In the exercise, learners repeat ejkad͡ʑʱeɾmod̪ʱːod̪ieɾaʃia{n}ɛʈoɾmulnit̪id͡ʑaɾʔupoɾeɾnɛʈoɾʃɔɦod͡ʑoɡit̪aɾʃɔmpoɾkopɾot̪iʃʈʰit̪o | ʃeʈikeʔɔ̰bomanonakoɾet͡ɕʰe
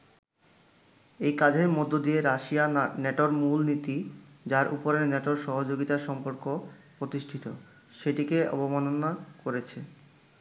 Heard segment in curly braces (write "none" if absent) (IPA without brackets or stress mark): n